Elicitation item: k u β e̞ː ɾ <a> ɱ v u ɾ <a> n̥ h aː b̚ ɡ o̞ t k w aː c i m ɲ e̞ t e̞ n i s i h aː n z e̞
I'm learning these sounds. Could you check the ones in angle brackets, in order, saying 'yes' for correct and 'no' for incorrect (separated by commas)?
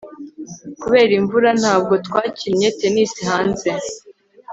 no, yes